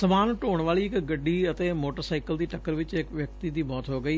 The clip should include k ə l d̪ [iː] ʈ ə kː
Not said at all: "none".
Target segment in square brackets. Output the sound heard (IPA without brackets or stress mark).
iː